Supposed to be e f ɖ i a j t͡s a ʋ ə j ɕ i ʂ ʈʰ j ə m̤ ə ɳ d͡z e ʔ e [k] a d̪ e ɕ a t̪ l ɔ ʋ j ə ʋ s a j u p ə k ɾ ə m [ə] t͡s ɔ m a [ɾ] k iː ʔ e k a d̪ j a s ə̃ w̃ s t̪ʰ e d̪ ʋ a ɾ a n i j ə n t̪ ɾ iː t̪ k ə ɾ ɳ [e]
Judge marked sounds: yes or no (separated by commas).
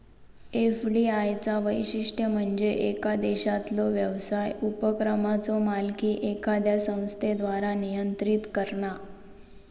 yes, no, no, no